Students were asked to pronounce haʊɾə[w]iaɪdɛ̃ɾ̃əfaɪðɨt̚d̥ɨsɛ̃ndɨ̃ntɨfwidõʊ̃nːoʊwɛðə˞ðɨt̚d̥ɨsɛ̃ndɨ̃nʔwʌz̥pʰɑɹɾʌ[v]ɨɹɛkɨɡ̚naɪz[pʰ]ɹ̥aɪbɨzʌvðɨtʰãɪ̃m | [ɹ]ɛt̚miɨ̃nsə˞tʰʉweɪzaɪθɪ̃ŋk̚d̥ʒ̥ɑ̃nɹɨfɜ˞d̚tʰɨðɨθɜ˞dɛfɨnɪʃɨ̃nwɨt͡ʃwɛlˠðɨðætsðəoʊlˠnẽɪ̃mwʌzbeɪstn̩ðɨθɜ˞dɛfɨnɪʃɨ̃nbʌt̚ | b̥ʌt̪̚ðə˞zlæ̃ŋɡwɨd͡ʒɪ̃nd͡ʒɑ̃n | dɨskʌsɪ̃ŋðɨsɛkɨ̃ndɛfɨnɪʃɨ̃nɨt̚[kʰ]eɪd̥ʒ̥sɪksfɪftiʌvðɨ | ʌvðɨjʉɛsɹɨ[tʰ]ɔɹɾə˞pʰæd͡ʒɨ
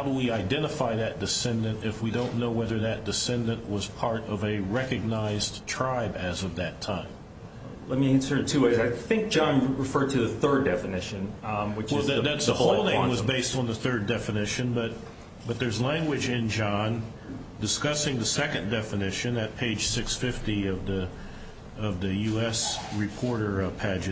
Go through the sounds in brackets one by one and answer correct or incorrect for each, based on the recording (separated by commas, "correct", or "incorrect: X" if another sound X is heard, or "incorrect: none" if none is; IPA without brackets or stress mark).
correct, correct, incorrect: tʰ, incorrect: l, incorrect: pʰ, incorrect: pʰ